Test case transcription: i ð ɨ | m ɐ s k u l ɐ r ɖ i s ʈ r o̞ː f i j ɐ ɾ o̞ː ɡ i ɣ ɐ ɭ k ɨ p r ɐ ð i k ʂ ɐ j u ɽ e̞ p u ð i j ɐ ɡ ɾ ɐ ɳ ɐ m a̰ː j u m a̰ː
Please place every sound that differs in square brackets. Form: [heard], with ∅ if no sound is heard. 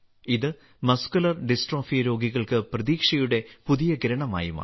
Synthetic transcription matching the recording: i ð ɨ | m ɐ s k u l ɐ r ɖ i s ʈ r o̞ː f i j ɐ ɾ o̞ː ɡ i ɣ ɐ ɭ k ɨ p r ɐ ð [iː] k ʂ ɐ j u ɽ e̞ p u ð i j ɐ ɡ ɾ ɐ ɳ ɐ m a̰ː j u m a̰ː